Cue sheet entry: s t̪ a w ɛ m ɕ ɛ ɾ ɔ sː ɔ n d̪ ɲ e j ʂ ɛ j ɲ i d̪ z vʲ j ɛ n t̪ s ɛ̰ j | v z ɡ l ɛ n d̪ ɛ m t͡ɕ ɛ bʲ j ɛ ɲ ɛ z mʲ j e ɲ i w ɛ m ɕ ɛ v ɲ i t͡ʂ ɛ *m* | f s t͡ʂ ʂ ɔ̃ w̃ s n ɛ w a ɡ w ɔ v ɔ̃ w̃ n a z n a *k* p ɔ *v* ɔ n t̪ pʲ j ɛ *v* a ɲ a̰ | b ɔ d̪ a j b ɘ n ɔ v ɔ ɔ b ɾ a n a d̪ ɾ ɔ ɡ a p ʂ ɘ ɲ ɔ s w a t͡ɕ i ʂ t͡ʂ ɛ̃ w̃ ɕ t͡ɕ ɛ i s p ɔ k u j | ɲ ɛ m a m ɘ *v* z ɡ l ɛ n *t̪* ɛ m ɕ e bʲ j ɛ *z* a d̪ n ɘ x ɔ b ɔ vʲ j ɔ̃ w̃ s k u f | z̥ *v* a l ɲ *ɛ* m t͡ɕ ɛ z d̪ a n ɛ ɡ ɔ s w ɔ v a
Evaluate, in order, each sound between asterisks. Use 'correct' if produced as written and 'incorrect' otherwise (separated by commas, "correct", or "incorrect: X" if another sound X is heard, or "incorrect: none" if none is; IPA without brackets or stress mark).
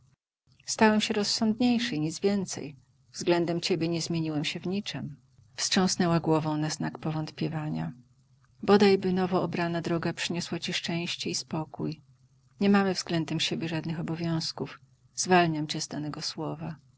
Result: correct, correct, correct, correct, correct, incorrect: d̪, incorrect: ʐ, correct, incorrect: a